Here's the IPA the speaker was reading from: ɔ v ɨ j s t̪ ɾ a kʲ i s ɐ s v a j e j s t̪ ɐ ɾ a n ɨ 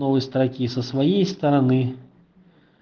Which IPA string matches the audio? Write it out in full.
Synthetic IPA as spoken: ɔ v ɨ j s t̪ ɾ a kʲ i s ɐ s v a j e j s t̪ ɐ ɾ a n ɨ

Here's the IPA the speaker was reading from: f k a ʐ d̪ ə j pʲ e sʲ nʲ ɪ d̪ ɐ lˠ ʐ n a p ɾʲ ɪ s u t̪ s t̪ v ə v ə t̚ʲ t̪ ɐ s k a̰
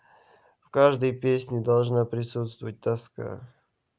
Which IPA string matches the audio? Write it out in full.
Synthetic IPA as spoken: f k a ʐ d̪ ə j pʲ e sʲ nʲ ɪ d̪ ɐ lˠ ʐ n a p ɾʲ ɪ s u t̪ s t̪ v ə v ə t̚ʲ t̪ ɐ s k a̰

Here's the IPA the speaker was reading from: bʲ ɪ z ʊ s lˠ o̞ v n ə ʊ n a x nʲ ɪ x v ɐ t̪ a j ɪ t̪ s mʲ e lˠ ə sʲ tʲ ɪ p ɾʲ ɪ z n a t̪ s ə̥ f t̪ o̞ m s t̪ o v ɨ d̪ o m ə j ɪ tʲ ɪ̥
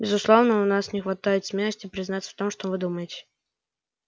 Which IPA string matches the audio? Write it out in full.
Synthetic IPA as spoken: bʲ ɪ z ʊ s lˠ o̞ v n ə ʊ n a s nʲ ɪ x v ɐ t̪ a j ɪ t̪ s mʲ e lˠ ə sʲ tʲ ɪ p ɾʲ ɪ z n a t̪ s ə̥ f t̪ o̞ m ʂ t̪ o v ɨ d̪ u m ə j ɪ tʲ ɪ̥

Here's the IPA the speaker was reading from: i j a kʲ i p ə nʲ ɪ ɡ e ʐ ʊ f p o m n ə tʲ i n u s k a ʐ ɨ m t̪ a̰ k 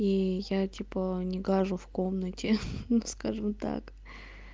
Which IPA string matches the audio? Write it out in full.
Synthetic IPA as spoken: i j a tʲ i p ə nʲ ɪ ɡ a ʐ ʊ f k o m n ə tʲ ɪ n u s k a ʐ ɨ m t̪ a̰ k

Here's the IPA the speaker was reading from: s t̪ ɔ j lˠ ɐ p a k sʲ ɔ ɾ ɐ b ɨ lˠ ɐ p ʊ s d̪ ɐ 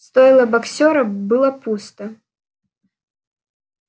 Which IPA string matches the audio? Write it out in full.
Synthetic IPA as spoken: s t̪ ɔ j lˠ ɐ b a k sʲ ɔ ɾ ɐ b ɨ lˠ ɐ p u s t̪ ɐ

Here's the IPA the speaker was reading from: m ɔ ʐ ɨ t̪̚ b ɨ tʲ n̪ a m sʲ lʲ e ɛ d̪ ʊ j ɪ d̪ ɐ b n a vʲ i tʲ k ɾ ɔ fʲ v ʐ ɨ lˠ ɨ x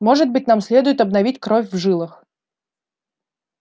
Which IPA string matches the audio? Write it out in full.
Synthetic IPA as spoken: m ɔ ʐ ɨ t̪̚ b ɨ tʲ n̪ a m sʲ lʲ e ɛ d̪ ʊ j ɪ t̪ ɐ b n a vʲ i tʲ k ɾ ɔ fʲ v ʐ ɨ lˠ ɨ x

